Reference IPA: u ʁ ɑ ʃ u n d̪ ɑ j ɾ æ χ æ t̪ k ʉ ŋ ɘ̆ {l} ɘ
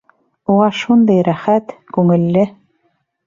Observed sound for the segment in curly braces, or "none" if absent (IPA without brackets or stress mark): lː